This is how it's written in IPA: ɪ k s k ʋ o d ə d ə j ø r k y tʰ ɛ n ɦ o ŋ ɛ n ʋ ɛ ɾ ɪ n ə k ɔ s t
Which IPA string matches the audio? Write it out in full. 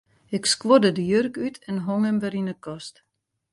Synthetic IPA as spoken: ɪ k s k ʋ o d ə d ə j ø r k y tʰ ɛ n ɦ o ŋ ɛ m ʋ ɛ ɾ i n ə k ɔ s t